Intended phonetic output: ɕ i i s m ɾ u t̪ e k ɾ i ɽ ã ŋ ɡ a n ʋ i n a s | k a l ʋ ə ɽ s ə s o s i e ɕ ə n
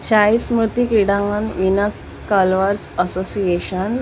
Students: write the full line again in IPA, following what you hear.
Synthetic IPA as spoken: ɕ a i s m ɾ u t̪ i k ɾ i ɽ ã ŋ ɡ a n ʋ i n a s | k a l ʋ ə ɾ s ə s o s i e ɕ ə n